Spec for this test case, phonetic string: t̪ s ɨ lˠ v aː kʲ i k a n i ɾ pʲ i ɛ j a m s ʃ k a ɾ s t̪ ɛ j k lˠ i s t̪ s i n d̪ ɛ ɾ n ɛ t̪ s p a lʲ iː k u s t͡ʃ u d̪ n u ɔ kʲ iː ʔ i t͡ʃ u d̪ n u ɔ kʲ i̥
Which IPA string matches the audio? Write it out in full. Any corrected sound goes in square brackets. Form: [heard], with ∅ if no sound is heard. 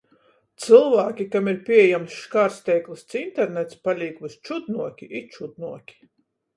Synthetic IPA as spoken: t̪ s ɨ lˠ v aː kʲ i k a [m] i ɾ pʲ i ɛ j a m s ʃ k a ɾ s t̪ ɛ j k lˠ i s t̪ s i n [t̪] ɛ ɾ n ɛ t̪ s p a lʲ iː k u s t͡ʃ u d̪ n u ɔ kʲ [i] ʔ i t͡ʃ u d̪ n u ɔ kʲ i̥